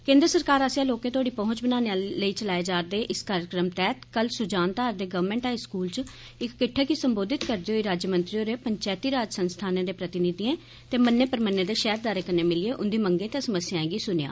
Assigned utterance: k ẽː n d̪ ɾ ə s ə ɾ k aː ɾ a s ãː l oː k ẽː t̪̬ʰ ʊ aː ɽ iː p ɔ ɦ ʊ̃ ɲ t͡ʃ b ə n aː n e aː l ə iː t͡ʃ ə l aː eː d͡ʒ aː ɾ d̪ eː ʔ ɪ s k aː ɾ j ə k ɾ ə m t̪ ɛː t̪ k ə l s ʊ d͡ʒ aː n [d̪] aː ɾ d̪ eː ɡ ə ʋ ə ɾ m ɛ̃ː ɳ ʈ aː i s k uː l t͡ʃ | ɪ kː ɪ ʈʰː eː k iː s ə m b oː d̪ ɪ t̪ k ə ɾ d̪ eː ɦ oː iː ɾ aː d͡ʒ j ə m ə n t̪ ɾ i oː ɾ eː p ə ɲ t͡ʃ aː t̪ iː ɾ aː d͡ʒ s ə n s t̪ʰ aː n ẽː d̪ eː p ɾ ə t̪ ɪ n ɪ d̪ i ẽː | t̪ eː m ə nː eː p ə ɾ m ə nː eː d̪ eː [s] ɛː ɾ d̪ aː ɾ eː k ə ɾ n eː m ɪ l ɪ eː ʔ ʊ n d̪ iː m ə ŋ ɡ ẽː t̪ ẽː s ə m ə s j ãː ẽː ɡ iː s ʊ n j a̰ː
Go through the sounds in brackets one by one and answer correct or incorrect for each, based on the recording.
incorrect, incorrect

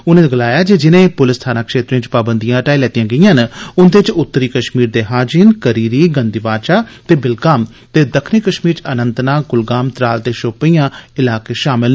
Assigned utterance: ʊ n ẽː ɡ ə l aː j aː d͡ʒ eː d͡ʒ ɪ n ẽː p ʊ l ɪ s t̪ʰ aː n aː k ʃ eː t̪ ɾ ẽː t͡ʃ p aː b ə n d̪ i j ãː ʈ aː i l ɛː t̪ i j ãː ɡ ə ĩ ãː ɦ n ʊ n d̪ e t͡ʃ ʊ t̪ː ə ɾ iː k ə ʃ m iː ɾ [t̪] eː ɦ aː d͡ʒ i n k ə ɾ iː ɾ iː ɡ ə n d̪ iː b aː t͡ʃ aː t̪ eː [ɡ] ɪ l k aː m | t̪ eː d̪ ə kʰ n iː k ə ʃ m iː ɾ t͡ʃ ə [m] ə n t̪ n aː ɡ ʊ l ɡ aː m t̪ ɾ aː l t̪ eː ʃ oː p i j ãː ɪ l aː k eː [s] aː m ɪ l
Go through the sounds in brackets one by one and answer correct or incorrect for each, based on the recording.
incorrect, incorrect, incorrect, incorrect

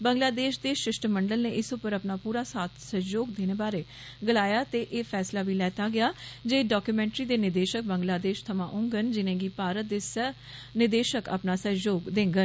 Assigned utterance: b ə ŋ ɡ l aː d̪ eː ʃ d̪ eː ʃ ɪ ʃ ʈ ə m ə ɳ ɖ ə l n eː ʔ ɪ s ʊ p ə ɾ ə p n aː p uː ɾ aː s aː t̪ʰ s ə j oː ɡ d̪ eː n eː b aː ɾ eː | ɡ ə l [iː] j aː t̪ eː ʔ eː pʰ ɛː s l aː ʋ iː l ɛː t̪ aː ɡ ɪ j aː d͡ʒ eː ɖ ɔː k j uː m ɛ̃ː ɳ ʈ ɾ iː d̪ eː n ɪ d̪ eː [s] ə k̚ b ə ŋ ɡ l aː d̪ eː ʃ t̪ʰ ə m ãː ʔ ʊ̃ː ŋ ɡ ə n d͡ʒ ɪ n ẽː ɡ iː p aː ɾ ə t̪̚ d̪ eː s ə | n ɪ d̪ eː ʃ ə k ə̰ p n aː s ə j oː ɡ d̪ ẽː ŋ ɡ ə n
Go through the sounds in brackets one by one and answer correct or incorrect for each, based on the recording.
incorrect, incorrect

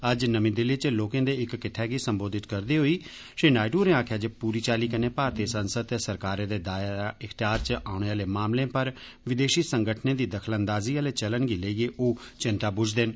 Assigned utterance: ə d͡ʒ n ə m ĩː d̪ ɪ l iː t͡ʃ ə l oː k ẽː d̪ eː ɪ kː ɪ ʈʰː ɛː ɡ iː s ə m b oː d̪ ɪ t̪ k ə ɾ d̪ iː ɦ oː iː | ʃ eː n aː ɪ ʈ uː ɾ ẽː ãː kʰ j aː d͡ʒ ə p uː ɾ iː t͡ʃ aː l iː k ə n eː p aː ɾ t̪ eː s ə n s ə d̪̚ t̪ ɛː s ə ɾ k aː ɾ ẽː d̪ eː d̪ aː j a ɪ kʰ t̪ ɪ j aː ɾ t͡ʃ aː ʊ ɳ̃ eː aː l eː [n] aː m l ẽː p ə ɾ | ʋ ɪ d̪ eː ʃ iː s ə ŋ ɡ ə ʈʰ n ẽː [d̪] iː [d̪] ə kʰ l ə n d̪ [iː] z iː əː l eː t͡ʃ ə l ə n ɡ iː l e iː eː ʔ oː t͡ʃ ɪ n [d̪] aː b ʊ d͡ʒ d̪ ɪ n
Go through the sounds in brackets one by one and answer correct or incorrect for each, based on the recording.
incorrect, correct, correct, incorrect, incorrect

